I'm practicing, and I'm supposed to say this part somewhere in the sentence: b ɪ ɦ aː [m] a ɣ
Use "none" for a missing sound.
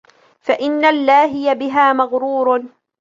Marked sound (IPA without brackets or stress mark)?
m